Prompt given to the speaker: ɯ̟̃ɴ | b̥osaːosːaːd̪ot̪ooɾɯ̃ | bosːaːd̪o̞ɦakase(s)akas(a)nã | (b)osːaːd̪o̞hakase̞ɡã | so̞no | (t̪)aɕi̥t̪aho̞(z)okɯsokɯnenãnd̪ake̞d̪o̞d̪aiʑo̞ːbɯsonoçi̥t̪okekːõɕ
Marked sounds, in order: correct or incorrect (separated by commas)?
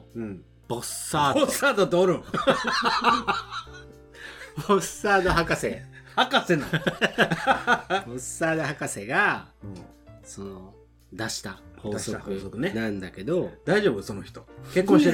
incorrect, incorrect, correct, incorrect, incorrect